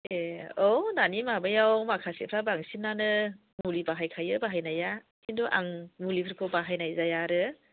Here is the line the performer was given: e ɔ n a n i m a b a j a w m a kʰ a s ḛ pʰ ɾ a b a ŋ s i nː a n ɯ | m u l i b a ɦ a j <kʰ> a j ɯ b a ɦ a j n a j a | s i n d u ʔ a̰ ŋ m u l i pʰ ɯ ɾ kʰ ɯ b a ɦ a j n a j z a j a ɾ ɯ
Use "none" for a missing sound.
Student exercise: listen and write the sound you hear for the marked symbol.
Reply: kʰ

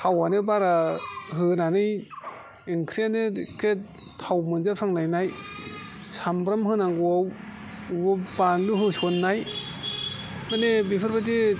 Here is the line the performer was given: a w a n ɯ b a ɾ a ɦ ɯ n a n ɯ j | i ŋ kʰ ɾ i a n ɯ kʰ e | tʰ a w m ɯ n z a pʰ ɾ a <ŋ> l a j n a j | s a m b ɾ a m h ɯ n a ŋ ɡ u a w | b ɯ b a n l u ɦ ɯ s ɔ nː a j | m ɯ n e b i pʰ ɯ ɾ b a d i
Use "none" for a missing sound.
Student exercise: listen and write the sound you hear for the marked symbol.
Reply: ŋ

